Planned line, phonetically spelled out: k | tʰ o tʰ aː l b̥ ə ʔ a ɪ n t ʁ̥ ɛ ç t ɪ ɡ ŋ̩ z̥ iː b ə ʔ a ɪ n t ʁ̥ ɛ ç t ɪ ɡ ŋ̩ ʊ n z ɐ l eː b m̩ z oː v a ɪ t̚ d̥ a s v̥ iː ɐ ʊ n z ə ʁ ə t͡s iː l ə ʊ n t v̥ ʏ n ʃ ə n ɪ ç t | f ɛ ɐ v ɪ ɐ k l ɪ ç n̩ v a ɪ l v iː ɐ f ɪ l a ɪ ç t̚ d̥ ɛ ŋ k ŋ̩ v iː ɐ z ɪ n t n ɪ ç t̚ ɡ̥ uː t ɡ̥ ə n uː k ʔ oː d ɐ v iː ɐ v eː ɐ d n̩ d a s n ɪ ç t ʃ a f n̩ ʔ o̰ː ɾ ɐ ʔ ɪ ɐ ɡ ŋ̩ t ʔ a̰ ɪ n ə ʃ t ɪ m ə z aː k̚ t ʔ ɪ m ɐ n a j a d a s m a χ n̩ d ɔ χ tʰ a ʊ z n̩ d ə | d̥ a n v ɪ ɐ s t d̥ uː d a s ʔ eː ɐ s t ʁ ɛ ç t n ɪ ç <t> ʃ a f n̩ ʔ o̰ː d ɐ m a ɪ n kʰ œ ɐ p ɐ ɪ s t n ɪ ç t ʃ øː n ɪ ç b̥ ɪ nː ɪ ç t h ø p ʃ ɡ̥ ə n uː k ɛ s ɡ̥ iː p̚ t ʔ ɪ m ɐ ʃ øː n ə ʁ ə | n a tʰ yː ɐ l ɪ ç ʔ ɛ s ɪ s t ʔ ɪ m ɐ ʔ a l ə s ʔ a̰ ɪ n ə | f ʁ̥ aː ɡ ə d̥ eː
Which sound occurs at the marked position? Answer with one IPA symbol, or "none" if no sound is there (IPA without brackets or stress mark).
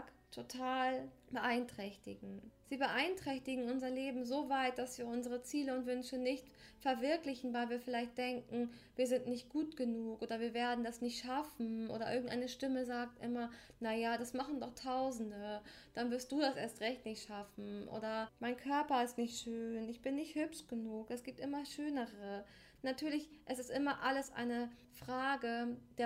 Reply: t